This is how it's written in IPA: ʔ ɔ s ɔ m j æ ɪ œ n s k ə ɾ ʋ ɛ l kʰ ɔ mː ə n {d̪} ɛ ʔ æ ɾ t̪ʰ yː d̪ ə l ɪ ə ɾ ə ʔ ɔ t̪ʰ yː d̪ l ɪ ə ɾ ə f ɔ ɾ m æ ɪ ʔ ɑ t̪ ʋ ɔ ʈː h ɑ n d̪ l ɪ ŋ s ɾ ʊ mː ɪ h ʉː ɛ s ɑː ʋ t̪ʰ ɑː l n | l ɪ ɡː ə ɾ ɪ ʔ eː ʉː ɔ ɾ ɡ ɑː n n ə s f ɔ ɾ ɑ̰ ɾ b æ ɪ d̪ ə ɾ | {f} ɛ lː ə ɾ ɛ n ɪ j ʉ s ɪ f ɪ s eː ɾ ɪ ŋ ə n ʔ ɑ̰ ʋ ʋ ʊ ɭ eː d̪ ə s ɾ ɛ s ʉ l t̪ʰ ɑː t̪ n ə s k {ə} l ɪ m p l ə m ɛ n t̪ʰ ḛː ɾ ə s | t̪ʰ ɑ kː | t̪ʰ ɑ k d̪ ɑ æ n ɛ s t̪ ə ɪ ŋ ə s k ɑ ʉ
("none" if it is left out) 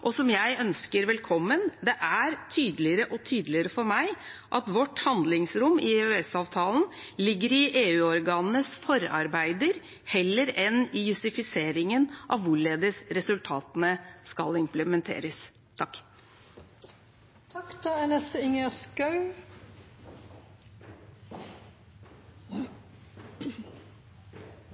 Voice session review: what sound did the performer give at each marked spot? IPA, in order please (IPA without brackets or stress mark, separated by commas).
d̪, h, ɑ